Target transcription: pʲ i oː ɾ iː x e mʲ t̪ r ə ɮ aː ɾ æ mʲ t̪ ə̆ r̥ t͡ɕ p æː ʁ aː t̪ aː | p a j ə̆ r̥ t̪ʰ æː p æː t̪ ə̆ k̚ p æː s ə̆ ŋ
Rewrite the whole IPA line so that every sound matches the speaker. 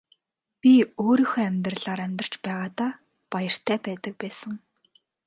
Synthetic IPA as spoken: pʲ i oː ɾ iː x æ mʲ t̪ r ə ɮ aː ɾ æ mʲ t̪ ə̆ r̥ t͡ɕ p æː ʁ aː t̪ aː | p a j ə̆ r̥ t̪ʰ æː p æː t̪ ə̆ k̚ p æː s ə̆ ŋ